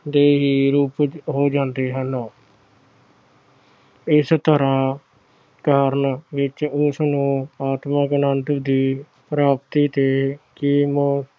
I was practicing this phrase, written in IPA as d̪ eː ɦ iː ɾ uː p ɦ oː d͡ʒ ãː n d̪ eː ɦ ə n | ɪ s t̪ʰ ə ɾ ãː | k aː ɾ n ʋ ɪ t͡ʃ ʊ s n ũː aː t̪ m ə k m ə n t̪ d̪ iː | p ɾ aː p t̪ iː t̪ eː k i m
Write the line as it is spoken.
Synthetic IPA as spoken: d̪ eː ɦ iː ɾ uː p ɦ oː d͡ʒ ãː n d̪ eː ɦ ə n | ɪ s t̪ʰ ə ɾ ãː | k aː ɾ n ʋ ɪ t͡ʃ ʊ s n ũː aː t̪ m ə k n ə n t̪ d̪ iː | p ɾ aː p t̪ iː t̪ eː k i m